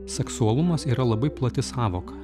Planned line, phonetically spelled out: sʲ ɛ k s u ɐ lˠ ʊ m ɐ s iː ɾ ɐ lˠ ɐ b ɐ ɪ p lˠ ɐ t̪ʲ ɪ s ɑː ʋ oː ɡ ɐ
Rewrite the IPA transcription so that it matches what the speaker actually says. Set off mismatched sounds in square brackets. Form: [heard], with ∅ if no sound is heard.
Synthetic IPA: sʲ ɛ k s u ɐ lˠ ʊ m ɐ s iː ɾ ɐ lˠ ɐ b ɐ ɪ p lˠ ɐ t̪ʲ ɪ s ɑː ʋ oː [k] ɐ